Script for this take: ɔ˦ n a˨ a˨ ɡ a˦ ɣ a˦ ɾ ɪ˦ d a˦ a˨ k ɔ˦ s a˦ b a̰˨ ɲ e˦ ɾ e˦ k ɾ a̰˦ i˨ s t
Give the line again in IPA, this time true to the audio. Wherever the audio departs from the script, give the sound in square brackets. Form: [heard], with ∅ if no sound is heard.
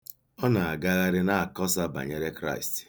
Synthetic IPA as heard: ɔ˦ n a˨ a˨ ɡ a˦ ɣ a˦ ɾ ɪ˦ [n] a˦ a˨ k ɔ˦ s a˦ b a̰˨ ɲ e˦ ɾ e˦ k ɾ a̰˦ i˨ s t